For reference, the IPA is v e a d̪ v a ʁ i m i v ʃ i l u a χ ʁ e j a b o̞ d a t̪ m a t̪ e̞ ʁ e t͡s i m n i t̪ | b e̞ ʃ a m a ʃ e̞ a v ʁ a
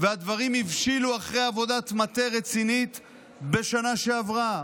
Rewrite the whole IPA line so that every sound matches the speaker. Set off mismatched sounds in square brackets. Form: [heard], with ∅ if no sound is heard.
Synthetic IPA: v e a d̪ v a ʁ i m i v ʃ i l u a χ ʁ e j a [v] o̞ d a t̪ m a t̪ e̞ ʁ e t͡s i [∅] n i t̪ | b e̞ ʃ a [n] a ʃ e̞ a v ʁ a

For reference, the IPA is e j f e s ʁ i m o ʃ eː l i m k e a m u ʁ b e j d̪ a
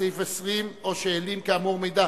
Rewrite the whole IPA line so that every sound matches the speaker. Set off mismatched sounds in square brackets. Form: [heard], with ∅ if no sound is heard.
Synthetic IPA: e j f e s ʁ i m o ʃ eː l i m k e a m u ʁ [m] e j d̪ a

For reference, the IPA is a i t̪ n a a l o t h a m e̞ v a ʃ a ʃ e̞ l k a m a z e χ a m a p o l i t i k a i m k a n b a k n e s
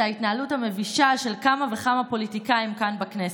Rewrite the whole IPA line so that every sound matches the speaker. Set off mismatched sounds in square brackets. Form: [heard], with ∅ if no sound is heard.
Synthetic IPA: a i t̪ n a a l [u] t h a m e̞ v [i] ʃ a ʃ e̞ l k a m a [v] e χ a m a p o l i t i k a i m k a n b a k n e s

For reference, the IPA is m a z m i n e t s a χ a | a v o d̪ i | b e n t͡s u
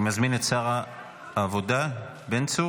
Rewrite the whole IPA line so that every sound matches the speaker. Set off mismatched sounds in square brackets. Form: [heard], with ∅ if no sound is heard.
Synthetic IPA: m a z m i n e t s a [ʁ] a | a v o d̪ [a] | b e n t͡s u

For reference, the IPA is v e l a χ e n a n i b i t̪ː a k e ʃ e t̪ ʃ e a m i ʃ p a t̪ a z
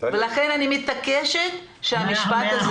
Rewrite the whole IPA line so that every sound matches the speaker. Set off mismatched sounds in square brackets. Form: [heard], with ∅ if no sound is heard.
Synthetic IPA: v e l a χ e n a n i [m] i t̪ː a k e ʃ e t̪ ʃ e a m i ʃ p a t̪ a z

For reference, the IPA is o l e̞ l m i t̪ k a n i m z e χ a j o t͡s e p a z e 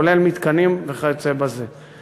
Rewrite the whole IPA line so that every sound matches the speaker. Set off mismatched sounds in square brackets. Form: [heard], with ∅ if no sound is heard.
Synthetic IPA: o l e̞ l m i t̪ k a n i m [v] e χ a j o t͡s e [b] a z e

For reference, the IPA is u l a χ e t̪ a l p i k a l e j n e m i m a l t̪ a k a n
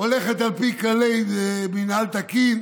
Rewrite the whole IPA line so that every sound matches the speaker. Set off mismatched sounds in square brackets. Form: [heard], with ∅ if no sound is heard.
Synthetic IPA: [o] l [e] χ e t̪ a l p i k a l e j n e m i [n] a l t̪ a k [i] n

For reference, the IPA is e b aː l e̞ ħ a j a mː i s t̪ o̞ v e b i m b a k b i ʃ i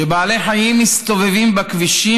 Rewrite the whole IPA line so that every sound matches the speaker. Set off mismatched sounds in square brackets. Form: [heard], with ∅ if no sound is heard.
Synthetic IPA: e b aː l e̞ ħ a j [i] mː i s t̪ o̞ v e [v] i m b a k [v] i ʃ i

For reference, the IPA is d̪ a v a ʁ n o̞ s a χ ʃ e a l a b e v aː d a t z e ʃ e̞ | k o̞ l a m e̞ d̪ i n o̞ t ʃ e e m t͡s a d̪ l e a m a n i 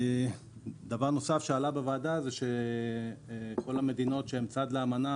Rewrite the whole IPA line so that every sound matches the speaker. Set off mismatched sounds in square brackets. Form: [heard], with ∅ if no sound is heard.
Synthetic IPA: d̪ a v a ʁ n o̞ s a [f] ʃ e a l a b e v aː d a [∅] z e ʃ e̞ | k o̞ l a m e̞ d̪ i n o̞ t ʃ e e m t͡s a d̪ l e a m a n [a]

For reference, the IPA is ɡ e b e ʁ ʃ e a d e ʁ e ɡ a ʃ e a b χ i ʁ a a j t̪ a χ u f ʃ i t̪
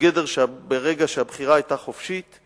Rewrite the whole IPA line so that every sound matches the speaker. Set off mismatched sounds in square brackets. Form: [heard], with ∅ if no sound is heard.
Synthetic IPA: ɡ e [d] e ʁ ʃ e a [b] e ʁ e ɡ a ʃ e a b χ i ʁ a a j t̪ a χ [o] f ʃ i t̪

